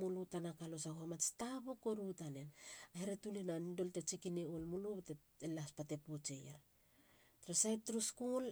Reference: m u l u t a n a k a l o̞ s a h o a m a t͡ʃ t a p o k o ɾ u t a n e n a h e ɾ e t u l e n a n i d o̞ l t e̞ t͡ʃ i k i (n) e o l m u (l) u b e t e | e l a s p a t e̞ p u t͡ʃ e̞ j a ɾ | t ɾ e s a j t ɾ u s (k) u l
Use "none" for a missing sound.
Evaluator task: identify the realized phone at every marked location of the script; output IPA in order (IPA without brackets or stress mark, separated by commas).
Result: n, l, k